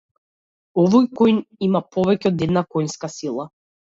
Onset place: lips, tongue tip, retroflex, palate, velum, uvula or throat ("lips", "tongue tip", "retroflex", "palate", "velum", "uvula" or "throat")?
lips